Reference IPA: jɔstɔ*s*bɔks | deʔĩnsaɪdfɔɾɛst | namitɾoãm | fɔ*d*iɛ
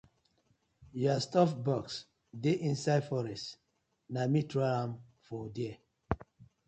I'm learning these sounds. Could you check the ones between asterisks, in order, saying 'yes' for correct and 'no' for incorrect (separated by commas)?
no, yes